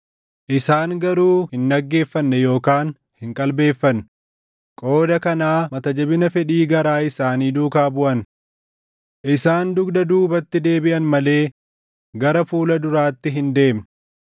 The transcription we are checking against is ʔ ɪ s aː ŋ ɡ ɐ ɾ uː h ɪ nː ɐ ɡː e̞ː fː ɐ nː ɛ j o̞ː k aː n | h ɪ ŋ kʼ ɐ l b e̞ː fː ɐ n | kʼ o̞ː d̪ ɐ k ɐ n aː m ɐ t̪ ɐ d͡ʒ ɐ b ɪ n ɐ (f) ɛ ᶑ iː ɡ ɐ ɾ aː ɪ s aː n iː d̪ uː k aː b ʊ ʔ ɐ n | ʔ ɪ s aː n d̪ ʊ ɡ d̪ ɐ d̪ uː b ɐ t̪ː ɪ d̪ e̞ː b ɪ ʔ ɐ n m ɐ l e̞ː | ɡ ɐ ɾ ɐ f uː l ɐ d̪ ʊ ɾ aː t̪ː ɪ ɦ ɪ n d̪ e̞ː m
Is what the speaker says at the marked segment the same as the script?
yes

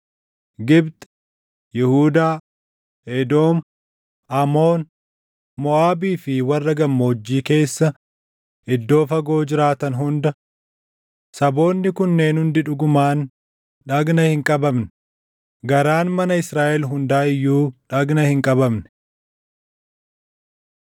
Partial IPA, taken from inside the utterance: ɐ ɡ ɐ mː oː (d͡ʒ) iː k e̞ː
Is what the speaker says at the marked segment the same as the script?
no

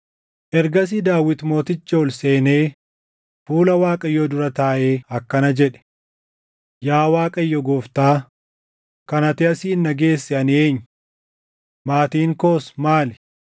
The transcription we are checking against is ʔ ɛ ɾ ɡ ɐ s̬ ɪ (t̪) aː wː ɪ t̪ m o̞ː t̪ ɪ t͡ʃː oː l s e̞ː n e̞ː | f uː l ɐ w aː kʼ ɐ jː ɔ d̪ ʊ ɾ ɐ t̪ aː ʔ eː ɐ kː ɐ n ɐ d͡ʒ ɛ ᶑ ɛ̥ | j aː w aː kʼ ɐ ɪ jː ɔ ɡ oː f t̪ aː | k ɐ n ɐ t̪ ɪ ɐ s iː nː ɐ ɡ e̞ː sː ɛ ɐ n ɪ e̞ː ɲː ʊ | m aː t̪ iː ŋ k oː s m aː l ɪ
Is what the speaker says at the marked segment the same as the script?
no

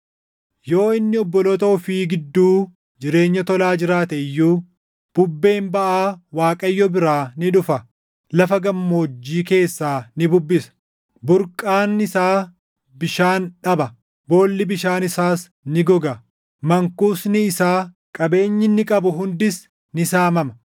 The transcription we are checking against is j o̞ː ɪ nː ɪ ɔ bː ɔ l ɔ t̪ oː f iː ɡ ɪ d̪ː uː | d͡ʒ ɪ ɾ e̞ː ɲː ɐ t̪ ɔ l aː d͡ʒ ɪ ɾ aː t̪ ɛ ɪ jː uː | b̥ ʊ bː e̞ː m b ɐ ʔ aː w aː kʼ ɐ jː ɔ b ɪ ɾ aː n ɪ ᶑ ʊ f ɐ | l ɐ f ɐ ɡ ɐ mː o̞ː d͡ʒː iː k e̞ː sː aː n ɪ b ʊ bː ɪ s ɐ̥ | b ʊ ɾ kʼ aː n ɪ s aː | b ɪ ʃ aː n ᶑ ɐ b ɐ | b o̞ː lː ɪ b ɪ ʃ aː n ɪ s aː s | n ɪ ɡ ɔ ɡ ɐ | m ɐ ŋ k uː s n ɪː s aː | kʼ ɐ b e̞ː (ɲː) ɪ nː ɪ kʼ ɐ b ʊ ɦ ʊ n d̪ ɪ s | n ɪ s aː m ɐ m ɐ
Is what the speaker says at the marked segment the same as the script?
yes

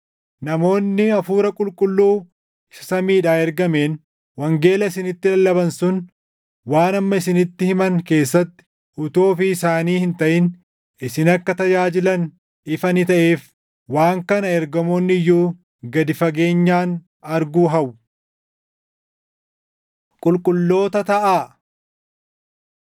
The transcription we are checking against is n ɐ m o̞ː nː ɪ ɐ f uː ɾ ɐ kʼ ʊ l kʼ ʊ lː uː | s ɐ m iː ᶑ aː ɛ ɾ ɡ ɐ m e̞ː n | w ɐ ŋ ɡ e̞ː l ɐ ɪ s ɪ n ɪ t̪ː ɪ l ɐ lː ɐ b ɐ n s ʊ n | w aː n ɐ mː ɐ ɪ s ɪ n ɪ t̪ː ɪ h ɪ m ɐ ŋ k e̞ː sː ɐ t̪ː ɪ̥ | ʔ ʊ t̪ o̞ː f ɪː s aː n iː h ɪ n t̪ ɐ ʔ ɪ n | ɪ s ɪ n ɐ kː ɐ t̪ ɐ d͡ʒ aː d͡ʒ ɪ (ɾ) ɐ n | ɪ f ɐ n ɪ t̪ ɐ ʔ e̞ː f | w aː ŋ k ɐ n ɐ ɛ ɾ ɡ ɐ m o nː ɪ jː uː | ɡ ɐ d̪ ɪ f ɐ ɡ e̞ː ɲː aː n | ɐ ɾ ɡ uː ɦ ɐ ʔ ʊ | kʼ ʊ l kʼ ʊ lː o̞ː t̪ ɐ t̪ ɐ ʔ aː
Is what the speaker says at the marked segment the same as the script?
no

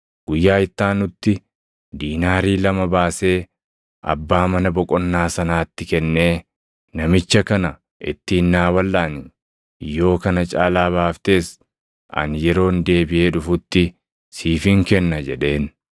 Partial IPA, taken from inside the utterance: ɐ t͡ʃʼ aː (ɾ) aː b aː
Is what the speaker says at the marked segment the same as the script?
no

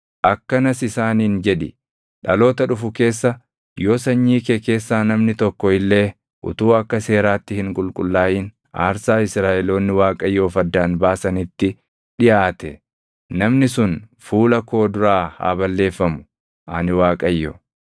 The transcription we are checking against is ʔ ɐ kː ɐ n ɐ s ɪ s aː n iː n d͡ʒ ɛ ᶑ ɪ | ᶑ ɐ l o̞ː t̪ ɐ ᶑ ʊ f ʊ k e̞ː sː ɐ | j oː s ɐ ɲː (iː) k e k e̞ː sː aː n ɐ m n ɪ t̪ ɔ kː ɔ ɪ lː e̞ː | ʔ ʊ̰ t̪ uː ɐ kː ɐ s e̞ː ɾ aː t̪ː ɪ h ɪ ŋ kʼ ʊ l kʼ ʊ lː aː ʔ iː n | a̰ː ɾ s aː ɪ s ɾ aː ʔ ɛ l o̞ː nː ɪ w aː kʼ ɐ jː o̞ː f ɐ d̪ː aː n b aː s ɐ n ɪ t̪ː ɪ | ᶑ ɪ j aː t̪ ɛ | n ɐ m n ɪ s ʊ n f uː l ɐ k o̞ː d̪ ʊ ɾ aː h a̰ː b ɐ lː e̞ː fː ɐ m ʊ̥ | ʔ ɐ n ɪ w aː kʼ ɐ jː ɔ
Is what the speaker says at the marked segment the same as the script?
yes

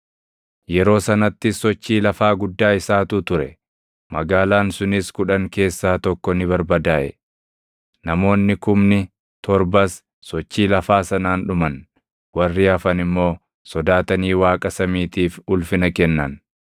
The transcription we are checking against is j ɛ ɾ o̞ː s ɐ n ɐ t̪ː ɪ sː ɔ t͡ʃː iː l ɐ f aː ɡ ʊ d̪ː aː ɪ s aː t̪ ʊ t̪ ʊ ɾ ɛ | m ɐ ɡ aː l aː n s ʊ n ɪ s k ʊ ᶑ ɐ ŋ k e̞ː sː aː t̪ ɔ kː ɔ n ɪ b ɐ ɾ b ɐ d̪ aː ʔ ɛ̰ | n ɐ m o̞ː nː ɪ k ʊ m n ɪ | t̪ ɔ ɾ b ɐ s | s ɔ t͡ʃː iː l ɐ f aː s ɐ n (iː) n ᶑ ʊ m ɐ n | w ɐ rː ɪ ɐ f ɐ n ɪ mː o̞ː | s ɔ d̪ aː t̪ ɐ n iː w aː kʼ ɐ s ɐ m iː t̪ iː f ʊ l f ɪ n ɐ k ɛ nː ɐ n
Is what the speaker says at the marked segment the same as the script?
no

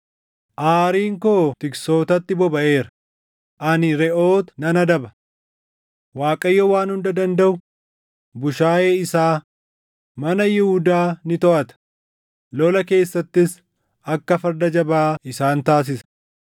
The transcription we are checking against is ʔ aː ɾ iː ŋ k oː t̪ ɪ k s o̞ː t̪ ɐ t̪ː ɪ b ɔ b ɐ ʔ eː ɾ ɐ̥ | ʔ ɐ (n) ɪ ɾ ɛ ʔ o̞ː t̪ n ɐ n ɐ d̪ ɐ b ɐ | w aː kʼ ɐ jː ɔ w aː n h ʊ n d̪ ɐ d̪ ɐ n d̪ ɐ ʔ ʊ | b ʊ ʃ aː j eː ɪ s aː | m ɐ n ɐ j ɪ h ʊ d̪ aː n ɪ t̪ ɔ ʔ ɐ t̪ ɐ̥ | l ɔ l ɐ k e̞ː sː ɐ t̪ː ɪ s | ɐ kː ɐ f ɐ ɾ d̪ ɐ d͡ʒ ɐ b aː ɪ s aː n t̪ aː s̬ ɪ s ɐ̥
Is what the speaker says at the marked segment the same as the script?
yes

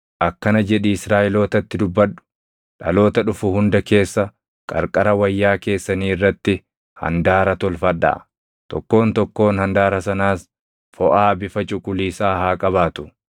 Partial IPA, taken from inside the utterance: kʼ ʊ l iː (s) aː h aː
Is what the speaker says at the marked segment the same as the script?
yes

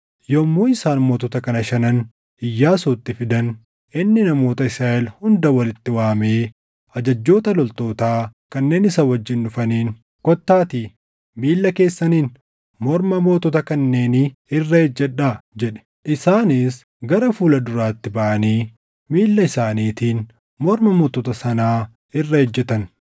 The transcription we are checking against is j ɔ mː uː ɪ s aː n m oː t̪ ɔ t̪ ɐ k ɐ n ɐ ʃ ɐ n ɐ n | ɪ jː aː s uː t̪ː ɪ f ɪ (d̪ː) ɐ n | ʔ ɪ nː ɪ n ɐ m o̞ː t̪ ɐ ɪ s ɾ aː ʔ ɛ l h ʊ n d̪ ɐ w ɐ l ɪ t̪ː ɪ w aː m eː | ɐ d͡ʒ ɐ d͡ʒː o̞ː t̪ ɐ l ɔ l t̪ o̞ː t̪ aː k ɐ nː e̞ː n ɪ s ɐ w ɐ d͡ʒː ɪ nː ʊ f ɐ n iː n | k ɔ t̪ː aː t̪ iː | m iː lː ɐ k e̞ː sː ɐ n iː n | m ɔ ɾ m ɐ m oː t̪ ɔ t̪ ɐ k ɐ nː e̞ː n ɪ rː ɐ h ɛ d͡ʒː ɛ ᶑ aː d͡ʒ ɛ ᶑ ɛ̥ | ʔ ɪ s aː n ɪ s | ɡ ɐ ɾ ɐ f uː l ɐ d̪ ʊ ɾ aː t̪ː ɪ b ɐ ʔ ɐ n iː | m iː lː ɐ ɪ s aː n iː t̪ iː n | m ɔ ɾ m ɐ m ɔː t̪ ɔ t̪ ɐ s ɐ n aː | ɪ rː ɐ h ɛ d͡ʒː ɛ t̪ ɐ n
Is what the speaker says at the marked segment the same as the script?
no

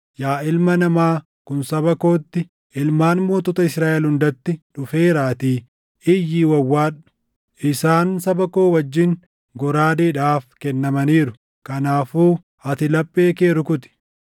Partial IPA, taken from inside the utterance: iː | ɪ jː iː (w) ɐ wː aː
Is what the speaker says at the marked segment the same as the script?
yes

